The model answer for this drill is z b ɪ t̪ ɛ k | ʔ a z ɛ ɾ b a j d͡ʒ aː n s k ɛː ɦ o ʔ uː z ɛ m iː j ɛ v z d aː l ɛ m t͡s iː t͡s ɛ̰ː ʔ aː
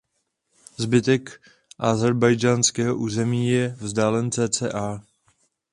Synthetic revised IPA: z b ɪ t̪ ɛ k | ʔ a z ɛ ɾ b a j d͡ʒ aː n s k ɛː ɦ o ʔ uː z ɛ m iː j ɛ v z d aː l ɛ n t͡s ɛː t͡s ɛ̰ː ʔ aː